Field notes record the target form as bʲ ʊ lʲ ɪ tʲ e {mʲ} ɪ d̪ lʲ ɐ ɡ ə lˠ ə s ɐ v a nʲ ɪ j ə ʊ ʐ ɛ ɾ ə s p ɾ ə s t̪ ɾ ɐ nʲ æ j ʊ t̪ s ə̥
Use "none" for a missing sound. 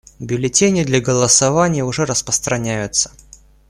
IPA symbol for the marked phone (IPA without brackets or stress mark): nʲ